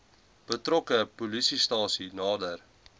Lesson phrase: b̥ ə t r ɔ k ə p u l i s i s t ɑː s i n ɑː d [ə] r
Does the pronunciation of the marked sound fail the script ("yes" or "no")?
no